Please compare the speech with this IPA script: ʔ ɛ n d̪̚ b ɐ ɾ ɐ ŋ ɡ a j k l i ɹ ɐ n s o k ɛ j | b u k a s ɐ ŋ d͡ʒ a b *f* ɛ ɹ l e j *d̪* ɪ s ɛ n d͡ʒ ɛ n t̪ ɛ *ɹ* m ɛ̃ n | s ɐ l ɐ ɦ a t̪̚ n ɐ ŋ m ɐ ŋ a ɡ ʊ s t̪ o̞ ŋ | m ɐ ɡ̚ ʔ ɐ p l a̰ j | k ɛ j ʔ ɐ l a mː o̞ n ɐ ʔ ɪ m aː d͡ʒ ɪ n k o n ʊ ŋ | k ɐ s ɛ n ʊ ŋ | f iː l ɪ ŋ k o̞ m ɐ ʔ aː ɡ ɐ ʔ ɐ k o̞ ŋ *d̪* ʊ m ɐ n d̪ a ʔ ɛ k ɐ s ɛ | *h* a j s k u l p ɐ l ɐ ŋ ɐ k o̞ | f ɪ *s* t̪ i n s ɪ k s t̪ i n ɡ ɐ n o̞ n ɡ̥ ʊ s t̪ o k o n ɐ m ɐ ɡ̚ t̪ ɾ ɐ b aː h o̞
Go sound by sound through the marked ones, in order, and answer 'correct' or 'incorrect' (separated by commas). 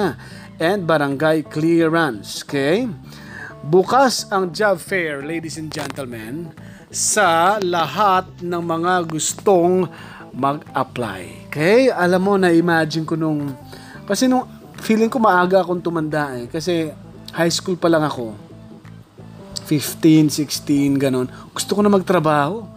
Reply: correct, correct, incorrect, incorrect, correct, incorrect